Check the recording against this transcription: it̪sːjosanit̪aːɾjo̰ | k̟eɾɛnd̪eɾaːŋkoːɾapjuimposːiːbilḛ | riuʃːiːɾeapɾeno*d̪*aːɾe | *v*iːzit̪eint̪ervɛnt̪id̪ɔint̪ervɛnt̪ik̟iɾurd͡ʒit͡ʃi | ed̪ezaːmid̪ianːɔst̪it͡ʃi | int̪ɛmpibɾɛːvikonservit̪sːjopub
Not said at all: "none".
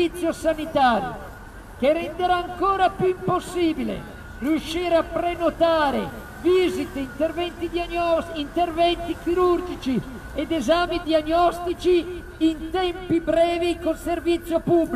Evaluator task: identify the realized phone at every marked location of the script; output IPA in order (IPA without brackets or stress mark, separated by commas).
t̪, v